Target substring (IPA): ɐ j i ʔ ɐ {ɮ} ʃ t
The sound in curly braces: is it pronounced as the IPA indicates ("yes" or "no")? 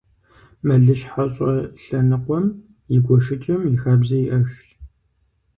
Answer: no